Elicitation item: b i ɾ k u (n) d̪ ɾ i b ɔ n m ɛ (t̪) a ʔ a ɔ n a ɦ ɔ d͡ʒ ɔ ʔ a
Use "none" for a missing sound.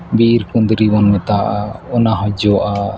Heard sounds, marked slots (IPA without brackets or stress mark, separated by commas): n, t̪